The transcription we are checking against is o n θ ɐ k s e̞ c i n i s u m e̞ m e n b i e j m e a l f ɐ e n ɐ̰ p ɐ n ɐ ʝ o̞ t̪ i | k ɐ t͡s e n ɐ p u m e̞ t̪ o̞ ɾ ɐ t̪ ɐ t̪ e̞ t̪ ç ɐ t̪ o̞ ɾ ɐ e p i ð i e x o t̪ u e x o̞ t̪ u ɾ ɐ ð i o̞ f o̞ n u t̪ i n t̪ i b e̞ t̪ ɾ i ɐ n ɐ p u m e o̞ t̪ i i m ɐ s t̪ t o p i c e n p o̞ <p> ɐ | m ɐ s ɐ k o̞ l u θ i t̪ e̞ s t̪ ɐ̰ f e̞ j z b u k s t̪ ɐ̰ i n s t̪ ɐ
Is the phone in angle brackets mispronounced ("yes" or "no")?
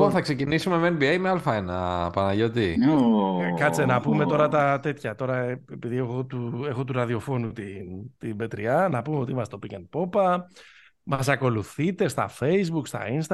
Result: no